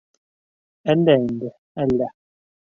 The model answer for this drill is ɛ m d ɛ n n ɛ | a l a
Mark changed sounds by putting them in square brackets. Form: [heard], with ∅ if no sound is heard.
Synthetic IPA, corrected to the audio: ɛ [n] d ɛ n [d] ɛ | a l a